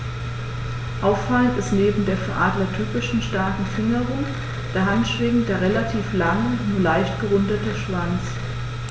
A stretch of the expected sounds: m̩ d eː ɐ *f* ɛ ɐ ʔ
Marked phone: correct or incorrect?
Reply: correct